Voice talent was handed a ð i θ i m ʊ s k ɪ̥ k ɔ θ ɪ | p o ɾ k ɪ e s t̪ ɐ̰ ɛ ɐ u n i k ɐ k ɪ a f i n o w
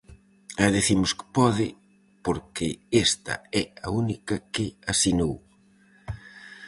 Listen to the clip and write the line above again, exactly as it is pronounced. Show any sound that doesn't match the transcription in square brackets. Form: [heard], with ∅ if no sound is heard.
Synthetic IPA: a ð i θ i m ʊ s k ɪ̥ [p] ɔ [ð] ɪ | p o ɾ k ɪ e s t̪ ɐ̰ ɛ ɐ u n i k ɐ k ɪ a [s] i n o w